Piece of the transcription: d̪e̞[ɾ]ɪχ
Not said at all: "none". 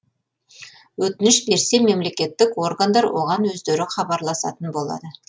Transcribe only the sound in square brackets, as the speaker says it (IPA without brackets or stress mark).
ɾ